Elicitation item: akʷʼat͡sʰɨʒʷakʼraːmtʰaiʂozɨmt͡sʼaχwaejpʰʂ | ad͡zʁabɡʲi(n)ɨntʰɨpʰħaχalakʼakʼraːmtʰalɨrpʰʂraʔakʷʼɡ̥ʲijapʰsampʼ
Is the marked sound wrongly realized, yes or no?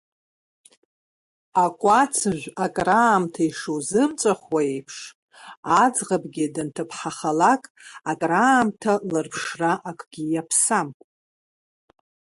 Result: yes